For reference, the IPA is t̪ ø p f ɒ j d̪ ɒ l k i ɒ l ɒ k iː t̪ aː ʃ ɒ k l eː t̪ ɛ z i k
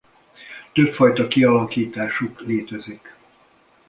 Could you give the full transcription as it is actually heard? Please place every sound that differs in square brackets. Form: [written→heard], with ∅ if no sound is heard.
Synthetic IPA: t̪ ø p f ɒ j [d̪→t̪] ɒ [l→∅] k i ɒ l ɒ k iː t̪ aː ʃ [ɒ→u] k l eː t̪ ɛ z i k